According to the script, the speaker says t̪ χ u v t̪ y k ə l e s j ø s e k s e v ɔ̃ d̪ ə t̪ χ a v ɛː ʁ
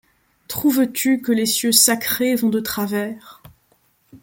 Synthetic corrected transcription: t̪ χ u v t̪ y k ə l e s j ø s a k χ e v ɔ̃ d̪ ə t̪ χ a v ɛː ʁ